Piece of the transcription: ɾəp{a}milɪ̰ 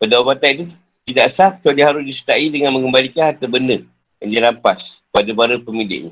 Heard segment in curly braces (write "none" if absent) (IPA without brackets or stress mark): ə